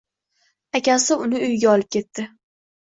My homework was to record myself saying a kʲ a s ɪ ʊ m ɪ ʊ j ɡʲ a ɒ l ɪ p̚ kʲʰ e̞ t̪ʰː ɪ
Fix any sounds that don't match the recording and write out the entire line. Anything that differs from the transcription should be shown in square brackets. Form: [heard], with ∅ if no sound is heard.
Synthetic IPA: a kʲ a s ɪ ʊ [n] ɪ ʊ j ɡʲ a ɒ l ɪ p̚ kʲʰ e̞ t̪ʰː ɪ